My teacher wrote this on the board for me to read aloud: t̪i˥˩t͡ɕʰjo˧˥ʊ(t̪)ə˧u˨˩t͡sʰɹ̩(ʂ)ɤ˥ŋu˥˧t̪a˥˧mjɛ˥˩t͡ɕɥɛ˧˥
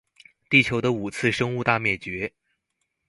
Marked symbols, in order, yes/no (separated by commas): no, yes